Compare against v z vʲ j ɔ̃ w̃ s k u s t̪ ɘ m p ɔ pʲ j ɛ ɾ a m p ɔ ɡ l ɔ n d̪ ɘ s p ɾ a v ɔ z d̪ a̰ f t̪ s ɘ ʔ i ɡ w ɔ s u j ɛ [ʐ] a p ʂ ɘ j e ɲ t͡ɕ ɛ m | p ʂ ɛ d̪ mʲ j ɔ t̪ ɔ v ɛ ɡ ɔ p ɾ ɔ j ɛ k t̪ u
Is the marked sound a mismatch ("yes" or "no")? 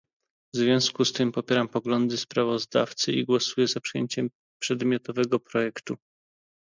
yes